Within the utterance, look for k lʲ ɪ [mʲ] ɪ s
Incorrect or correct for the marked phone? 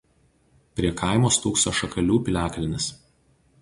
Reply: incorrect: nʲ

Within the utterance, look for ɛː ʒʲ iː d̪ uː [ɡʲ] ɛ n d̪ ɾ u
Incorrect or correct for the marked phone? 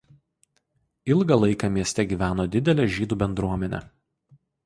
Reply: incorrect: bʲ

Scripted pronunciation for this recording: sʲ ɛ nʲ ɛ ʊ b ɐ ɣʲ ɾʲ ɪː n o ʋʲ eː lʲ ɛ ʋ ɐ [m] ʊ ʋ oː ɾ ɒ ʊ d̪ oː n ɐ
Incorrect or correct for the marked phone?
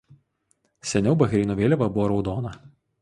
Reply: incorrect: b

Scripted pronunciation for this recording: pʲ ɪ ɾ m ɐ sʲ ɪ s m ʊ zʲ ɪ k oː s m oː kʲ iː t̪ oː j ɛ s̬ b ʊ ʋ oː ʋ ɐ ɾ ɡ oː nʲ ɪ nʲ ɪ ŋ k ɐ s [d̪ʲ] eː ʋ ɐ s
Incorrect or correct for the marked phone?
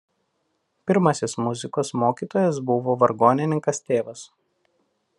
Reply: incorrect: t̪ʲ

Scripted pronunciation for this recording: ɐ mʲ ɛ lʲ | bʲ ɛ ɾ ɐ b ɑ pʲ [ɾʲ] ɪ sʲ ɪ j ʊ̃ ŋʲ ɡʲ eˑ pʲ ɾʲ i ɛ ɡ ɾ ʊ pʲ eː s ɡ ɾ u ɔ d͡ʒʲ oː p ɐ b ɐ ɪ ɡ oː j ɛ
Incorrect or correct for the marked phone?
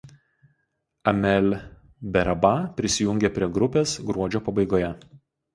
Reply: correct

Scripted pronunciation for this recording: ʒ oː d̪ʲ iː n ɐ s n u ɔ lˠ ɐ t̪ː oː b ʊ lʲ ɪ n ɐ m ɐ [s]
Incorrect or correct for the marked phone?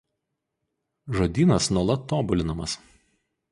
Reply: correct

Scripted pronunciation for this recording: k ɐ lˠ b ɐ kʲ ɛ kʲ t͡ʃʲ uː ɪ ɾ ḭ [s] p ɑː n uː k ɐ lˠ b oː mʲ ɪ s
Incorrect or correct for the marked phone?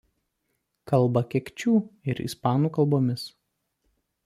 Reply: correct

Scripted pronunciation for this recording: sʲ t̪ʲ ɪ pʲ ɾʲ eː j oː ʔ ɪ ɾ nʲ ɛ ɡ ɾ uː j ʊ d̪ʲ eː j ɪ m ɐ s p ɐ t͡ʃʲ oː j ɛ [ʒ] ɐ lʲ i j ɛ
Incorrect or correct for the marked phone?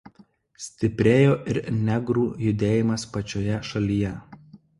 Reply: incorrect: ʃ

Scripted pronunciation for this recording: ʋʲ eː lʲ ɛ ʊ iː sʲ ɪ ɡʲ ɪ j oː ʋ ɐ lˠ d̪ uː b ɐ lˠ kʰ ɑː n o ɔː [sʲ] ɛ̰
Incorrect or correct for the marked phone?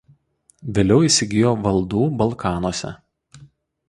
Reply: correct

